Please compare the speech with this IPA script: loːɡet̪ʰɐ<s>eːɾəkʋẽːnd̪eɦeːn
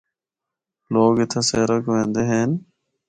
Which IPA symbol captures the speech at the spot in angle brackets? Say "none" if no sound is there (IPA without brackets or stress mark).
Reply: s